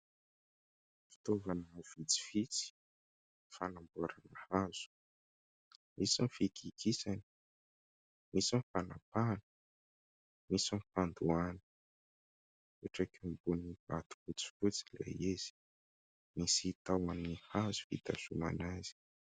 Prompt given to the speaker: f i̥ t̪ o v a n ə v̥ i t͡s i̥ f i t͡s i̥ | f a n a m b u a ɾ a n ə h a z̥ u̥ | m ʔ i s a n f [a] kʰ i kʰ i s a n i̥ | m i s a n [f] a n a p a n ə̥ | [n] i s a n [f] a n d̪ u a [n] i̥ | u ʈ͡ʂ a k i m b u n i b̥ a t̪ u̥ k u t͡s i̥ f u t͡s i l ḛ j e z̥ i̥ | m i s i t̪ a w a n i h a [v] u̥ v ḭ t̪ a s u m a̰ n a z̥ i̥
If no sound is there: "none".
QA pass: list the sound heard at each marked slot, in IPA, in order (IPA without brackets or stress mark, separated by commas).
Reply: i, f, m, f, n, z